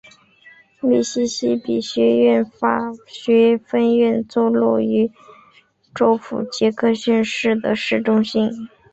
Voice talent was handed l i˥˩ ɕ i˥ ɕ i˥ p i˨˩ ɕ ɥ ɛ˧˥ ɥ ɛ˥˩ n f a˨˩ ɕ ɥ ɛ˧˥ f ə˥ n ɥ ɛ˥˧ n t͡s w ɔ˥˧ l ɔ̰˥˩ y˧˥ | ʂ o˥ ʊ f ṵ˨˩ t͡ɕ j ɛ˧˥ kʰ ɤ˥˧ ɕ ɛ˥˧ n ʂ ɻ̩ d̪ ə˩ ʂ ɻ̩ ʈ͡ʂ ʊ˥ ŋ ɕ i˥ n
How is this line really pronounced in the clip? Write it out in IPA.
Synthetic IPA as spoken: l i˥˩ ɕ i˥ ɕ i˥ p i˨˩ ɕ ɥ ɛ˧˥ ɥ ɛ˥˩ n f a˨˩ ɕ ɥ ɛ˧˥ f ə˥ n ɥ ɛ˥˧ n t͡s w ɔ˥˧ l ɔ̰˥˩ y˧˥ | ʈ͡ʂ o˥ ʊ f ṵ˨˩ t͡ɕ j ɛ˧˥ kʰ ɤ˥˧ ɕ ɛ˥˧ n ʂ ɻ̩ d̪ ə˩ ʂ ɻ̩ ʈ͡ʂ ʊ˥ ŋ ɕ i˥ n